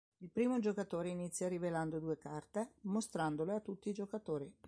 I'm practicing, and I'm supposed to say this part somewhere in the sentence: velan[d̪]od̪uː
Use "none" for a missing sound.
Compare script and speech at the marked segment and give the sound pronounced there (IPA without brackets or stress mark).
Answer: d̪